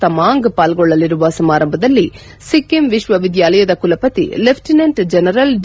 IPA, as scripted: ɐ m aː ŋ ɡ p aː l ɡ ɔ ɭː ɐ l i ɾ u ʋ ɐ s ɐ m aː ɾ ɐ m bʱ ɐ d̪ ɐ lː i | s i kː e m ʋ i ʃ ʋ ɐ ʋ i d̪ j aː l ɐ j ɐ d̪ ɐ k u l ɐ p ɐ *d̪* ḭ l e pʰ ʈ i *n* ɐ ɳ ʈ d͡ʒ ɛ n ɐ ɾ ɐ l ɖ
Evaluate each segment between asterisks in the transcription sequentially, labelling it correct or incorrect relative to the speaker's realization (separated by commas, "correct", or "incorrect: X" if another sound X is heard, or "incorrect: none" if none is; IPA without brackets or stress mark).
incorrect: t̪, correct